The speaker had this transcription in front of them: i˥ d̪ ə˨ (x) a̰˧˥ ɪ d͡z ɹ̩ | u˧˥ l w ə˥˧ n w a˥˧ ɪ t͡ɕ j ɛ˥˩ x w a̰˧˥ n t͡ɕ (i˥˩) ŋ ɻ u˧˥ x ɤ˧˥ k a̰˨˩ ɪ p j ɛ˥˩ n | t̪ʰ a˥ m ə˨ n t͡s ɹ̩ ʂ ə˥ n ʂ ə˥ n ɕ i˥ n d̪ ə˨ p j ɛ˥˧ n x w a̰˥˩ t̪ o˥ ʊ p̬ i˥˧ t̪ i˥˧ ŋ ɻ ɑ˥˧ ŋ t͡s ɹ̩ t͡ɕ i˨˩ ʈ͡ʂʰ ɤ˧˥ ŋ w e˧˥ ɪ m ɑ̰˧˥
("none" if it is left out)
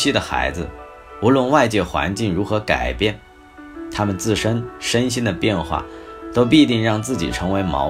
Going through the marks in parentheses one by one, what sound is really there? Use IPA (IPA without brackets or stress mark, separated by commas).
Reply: x, i˥˩